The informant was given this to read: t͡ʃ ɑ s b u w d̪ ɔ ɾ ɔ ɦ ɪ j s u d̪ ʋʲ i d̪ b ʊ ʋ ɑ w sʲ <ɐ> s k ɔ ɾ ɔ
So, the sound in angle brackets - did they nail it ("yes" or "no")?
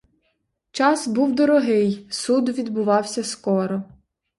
yes